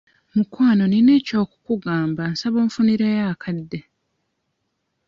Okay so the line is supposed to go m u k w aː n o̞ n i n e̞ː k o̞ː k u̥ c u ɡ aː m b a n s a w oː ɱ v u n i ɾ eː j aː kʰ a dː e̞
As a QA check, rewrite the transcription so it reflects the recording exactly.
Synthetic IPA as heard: m u k w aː n o̞ n i n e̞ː c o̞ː k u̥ k u ɡ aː m b a n s a β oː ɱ f u n i ɾ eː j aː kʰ a dː e̞